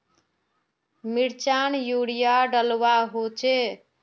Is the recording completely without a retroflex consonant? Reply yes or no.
no